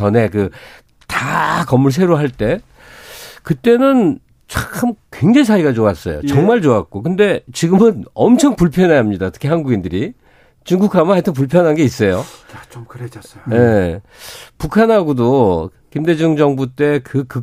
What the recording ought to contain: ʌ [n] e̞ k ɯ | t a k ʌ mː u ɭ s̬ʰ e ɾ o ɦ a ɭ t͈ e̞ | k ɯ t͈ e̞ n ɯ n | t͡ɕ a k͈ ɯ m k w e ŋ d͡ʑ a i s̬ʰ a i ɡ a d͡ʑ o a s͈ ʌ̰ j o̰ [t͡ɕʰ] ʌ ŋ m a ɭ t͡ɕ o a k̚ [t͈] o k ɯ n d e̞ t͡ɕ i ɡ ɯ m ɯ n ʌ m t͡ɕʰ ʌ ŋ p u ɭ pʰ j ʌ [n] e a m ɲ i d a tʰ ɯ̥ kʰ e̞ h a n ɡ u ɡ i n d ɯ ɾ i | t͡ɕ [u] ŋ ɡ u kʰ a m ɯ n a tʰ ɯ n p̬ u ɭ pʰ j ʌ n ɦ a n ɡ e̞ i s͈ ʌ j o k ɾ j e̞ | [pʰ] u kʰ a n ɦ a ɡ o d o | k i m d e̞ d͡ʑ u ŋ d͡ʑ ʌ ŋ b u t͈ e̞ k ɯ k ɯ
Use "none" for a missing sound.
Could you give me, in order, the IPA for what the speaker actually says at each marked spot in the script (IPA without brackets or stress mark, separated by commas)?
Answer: n, t͡ɕ, k͈, n, u, p